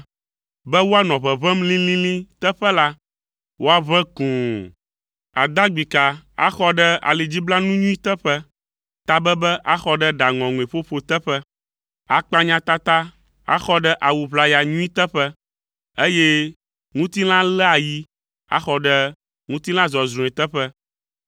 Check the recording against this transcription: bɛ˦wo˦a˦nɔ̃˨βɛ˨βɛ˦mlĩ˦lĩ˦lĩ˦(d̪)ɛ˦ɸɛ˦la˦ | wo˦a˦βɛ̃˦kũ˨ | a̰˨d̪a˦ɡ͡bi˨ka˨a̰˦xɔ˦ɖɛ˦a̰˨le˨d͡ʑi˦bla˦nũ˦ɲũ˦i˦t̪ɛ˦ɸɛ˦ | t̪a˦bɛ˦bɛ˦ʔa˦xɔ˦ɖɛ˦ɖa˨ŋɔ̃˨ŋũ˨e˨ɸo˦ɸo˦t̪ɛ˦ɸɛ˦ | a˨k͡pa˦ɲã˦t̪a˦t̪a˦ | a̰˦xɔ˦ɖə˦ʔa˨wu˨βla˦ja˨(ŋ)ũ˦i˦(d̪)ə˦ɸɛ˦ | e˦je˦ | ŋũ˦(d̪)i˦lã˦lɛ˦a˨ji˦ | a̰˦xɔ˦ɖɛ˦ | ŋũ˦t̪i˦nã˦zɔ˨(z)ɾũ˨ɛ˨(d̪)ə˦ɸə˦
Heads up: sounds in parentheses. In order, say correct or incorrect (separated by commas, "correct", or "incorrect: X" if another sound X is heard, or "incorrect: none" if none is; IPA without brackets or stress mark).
incorrect: t̪, incorrect: ɲ, incorrect: t̪, incorrect: t̪, correct, incorrect: t̪